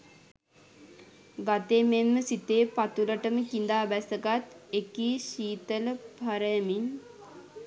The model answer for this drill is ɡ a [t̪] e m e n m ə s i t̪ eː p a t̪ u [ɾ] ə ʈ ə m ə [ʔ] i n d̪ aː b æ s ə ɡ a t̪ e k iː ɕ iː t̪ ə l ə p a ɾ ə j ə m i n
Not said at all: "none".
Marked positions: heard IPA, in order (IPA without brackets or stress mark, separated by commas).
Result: t̪, l, k